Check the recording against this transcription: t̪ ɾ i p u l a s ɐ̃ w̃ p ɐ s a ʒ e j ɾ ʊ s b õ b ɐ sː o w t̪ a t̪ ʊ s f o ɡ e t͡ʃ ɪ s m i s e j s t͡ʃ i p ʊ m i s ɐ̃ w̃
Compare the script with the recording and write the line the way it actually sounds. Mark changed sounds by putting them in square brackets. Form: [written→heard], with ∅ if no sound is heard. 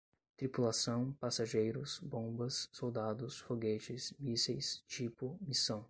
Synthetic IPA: t̪ ɾ i p u l a s ɐ̃ w̃ p [ɐ→a] s a ʒ e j ɾ ʊ s b õ b ɐ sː o w [t̪→d̪] a [t̪→d̪] ʊ s f o ɡ e t͡ʃ ɪ s m i s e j s t͡ʃ i p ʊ m i s ɐ̃ w̃